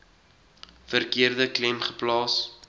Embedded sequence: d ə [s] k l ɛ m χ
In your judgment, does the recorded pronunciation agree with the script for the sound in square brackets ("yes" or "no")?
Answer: no